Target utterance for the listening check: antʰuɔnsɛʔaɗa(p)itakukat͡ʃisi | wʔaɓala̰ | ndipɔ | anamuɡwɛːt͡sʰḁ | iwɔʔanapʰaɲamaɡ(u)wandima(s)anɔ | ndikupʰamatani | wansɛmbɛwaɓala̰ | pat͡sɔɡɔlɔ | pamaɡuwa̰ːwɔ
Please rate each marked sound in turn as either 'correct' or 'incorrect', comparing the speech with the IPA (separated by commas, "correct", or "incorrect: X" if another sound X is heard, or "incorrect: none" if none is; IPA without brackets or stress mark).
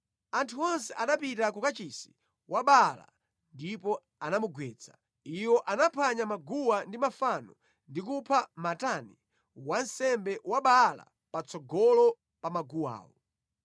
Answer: correct, correct, incorrect: f